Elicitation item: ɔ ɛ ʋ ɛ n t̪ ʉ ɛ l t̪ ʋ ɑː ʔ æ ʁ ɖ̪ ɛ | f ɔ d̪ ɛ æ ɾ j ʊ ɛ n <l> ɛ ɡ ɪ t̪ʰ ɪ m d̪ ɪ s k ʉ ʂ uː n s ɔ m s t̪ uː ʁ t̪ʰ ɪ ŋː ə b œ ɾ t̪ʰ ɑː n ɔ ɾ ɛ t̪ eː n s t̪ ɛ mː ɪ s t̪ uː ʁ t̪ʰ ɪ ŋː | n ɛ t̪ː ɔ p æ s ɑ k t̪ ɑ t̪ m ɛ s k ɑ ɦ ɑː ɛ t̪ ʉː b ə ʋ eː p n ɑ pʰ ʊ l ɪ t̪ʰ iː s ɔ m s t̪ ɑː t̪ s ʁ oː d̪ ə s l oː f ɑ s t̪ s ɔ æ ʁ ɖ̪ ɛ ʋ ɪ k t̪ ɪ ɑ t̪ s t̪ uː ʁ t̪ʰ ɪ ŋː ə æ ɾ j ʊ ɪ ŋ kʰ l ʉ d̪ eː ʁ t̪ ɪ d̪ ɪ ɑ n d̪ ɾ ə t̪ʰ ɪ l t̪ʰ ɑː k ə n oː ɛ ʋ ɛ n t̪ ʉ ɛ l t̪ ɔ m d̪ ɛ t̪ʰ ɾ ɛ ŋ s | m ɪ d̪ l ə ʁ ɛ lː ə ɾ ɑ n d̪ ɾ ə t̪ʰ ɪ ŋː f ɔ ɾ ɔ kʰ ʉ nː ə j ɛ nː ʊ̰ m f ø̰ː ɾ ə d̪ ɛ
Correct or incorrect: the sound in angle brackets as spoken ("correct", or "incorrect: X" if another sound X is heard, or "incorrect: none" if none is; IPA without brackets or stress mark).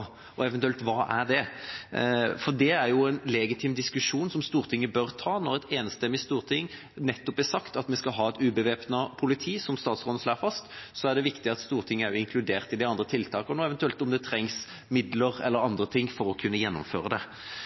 correct